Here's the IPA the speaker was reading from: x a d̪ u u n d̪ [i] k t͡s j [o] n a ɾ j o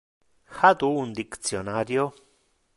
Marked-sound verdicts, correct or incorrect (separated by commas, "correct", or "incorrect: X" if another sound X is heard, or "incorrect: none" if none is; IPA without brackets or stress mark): correct, correct